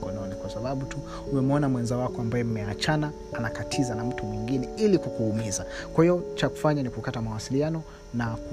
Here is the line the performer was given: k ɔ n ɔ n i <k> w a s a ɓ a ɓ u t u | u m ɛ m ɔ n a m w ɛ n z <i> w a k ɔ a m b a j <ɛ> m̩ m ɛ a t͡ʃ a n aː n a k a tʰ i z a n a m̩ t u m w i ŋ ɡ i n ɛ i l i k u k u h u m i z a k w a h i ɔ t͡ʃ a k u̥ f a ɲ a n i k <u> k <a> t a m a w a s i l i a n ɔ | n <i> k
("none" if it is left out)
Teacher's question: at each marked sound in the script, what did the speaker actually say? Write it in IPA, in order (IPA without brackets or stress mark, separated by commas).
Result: k, a, ɛ, u, a, a